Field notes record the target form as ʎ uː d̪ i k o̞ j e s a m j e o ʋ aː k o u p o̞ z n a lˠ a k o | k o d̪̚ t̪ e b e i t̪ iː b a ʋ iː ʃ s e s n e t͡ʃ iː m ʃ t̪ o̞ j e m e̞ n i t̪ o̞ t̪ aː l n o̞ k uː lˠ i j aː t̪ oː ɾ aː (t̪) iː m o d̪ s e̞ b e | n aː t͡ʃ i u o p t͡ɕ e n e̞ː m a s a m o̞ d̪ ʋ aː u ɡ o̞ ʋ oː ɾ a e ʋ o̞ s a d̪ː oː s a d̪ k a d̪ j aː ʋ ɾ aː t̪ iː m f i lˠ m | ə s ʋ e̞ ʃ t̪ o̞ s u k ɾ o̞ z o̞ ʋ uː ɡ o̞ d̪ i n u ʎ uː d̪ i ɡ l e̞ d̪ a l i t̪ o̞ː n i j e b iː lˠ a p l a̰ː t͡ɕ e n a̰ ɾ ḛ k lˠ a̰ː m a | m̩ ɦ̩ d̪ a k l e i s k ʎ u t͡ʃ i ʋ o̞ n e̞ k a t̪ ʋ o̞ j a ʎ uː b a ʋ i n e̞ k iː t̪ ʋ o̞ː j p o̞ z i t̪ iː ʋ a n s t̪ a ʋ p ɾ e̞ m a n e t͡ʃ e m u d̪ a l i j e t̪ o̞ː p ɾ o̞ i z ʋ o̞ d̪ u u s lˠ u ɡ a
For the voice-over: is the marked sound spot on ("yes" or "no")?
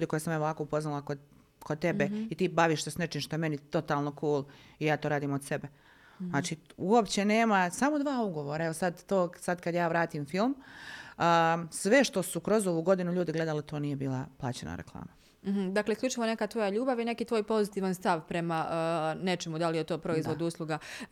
no